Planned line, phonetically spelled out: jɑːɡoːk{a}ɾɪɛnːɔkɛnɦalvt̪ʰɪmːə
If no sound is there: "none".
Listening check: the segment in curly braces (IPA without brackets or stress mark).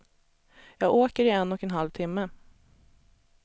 ə